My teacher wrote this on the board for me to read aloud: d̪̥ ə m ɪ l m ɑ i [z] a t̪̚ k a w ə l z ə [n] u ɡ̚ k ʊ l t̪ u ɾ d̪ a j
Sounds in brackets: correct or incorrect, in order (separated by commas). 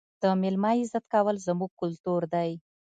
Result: correct, incorrect